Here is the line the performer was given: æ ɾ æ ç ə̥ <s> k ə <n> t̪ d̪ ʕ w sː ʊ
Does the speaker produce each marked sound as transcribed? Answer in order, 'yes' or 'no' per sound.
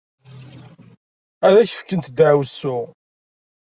no, yes

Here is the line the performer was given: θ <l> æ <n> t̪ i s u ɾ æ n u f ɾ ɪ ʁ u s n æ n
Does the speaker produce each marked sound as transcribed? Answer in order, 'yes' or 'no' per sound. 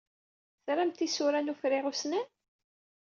no, no

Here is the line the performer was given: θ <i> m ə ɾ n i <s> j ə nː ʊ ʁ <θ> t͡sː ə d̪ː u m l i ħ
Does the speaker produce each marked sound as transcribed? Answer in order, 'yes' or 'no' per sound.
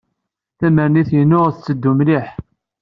no, no, yes

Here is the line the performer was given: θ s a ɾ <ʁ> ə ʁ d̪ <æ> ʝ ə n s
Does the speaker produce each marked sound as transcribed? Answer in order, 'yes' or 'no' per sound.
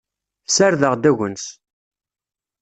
no, yes

